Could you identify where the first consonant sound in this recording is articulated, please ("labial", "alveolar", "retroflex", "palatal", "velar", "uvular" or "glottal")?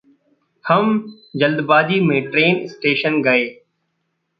glottal